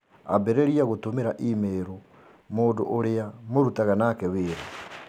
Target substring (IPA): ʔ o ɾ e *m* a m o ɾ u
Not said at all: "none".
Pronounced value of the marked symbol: none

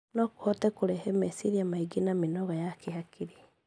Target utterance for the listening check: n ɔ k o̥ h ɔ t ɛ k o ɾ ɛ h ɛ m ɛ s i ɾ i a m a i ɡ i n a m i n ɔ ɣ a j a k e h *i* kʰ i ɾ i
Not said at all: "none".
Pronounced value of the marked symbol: a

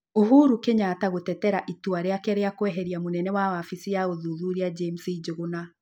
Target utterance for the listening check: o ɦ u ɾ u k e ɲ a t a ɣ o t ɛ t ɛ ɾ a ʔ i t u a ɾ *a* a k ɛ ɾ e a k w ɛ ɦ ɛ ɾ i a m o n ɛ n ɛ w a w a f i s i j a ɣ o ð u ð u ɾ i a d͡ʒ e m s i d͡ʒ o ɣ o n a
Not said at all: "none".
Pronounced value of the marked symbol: e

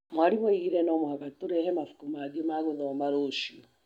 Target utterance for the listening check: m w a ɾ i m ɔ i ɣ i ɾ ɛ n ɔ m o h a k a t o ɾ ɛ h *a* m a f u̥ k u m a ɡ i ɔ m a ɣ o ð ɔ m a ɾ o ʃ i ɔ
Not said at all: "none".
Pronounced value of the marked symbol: ɛ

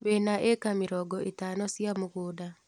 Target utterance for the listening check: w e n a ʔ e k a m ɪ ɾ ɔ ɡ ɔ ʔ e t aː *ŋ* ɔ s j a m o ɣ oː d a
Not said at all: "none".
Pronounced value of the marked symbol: n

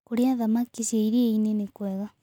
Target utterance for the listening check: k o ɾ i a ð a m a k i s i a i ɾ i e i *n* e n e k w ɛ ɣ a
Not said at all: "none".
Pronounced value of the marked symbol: n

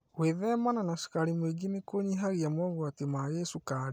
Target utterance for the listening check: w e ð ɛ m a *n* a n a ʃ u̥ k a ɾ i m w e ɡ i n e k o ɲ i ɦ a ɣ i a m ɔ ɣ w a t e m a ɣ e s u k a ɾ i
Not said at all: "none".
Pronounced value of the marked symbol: n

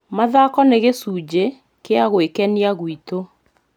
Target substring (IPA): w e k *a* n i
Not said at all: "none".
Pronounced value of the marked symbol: ɛ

